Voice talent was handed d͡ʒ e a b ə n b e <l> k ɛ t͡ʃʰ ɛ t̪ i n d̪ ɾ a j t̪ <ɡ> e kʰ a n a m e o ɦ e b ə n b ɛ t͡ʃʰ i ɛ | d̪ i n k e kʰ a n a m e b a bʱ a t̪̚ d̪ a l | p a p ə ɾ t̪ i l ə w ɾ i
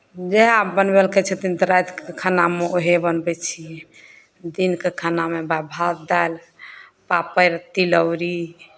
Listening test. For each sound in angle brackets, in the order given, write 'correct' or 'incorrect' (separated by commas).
correct, incorrect